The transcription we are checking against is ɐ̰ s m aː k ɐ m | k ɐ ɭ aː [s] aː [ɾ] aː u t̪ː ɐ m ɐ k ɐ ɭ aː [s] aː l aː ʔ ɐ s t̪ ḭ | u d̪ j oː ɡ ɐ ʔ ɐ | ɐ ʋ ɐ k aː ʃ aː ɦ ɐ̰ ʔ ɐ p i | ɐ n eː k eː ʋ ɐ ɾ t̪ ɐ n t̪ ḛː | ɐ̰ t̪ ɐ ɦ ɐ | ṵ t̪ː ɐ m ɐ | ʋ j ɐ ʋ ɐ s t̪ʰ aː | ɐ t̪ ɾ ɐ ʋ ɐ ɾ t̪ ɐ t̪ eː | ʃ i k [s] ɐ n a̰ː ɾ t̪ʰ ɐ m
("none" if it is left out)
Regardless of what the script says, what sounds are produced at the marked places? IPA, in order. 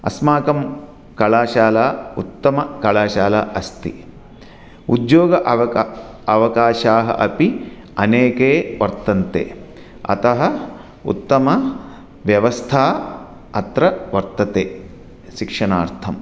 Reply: ʃ, l, ʃ, ʂ

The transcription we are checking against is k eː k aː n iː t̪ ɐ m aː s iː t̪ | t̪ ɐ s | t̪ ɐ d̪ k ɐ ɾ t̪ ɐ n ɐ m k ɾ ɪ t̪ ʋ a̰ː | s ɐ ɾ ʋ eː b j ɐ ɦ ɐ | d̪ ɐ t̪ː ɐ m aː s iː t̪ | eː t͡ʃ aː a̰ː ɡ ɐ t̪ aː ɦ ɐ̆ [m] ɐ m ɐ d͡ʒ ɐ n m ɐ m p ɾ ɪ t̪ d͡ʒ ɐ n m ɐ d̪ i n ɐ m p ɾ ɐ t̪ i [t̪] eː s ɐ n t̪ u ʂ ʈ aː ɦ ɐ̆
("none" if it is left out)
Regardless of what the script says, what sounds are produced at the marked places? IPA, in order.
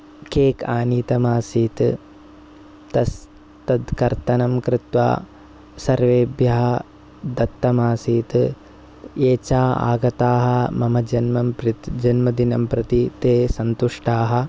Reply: m, t̪

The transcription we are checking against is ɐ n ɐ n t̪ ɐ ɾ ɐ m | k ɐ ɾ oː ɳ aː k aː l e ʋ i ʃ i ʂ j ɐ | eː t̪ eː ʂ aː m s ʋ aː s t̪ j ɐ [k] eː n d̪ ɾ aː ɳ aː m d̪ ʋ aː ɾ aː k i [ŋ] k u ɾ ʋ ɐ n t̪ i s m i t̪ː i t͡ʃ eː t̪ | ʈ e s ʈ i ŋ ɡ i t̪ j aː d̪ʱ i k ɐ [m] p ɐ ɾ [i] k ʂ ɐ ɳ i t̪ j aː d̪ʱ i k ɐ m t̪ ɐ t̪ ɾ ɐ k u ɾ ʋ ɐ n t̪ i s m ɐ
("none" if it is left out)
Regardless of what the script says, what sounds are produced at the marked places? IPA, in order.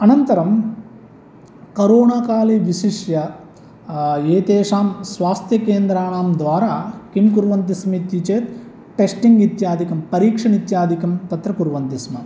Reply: k, m, m, iː

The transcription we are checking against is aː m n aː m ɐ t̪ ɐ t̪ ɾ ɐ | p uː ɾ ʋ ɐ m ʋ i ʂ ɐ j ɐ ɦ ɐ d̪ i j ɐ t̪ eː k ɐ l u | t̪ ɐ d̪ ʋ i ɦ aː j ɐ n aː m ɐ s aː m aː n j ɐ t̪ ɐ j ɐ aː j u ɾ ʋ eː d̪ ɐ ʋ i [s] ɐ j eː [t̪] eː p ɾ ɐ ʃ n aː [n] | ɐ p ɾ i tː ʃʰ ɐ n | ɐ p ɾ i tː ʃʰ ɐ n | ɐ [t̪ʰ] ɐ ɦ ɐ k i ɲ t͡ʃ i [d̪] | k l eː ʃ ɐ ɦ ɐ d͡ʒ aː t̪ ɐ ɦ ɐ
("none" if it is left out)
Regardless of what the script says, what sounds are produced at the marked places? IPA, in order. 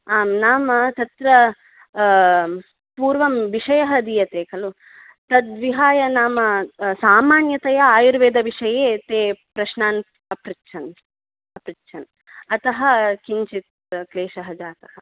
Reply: ʂ, t̪, n, t̪, t̪

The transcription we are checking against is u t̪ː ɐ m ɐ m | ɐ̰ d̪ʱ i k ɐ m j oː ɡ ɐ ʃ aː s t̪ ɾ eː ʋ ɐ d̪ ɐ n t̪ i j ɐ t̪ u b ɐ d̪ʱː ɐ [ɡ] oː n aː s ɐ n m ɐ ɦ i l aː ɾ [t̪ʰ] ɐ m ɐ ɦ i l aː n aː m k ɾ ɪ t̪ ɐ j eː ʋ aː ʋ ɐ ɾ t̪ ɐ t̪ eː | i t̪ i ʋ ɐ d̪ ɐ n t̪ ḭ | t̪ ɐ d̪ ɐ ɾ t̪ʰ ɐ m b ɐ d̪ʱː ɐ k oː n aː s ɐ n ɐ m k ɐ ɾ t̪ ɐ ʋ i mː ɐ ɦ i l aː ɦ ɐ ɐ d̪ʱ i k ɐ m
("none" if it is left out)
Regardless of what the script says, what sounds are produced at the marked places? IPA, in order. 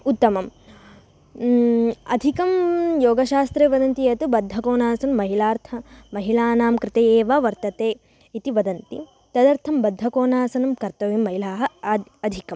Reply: k, t̪ʰ

